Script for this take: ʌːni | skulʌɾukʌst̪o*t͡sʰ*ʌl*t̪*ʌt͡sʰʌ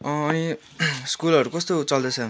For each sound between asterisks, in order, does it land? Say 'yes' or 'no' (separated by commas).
no, no